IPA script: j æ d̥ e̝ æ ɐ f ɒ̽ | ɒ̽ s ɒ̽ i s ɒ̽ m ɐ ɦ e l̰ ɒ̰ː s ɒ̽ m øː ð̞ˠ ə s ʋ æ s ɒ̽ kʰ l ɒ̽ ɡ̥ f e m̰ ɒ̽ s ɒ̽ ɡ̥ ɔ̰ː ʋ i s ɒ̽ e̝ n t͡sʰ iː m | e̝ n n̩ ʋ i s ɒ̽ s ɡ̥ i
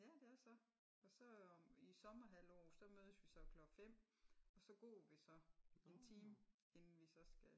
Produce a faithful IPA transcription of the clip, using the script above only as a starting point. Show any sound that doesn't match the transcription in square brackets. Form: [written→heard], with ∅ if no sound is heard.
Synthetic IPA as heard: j æ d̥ e̝ æ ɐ [f→s] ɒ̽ | ɒ̽ s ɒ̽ i s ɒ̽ m ɐ ɦ [e→æ] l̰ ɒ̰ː s ɒ̽ m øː ð̞ˠ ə s ʋ [æ→i] s ɒ̽ kʰ l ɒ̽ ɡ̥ f e m̰ ɒ̽ s ɒ̽ ɡ̥ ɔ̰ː ʋ i s ɒ̽ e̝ n t͡sʰ iː m | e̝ n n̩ ʋ i s ɒ̽ s ɡ̥ [i→æ]